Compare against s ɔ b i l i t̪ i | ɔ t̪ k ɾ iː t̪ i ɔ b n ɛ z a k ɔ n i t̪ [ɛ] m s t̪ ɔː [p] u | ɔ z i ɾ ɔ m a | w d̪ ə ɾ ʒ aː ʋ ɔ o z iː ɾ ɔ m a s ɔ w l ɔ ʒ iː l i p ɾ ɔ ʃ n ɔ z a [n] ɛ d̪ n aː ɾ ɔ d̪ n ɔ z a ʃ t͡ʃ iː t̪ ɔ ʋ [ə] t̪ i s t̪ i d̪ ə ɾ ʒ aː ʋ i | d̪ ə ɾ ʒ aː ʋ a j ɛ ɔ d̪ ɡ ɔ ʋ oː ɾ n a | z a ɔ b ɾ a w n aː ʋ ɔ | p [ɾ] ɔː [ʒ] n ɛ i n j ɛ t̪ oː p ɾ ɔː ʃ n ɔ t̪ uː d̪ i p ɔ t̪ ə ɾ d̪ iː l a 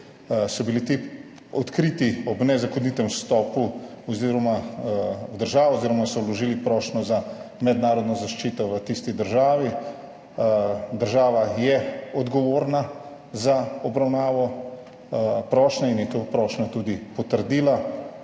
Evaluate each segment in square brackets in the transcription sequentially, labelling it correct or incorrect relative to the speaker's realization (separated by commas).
correct, correct, incorrect, correct, correct, incorrect